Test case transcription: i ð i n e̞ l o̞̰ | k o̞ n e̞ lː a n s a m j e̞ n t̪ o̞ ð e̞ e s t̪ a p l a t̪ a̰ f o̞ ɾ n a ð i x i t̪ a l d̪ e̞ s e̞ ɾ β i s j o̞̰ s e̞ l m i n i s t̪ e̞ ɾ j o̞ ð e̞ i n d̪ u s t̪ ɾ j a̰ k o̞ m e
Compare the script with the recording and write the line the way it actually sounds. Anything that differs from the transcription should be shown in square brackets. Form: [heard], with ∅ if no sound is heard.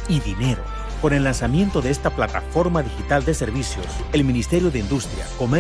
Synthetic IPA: i ð i n e̞ [ɾ] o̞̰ | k o̞ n e̞ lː a n s a m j e̞ n t̪ o̞ ð e̞ e s t̪ a p l a t̪ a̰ f o̞ ɾ [m] a ð i x i t̪ a l d̪ e̞ s e̞ ɾ β i s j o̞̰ s e̞ l m i n i s t̪ e̞ ɾ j o̞ ð e̞ i n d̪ u s t̪ ɾ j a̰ k o̞ m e